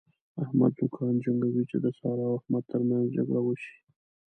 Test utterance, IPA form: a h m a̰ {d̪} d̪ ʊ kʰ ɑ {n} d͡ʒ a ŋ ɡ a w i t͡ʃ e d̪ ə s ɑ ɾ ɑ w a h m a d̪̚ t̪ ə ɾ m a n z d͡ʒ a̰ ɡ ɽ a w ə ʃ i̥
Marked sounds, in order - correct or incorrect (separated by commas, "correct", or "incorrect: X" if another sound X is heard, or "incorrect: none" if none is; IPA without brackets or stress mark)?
correct, correct